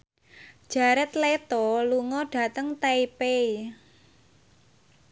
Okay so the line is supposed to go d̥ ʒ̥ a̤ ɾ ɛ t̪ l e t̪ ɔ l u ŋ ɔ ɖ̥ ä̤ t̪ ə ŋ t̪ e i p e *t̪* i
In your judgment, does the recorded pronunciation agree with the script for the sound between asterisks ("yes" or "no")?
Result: no